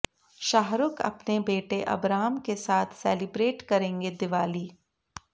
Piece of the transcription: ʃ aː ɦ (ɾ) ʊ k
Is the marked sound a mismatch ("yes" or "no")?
no